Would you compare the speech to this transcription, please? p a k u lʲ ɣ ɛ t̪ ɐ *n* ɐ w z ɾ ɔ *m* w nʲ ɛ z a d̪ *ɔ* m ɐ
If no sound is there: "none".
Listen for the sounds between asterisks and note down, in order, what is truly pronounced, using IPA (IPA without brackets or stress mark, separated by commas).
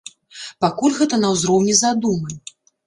n, none, u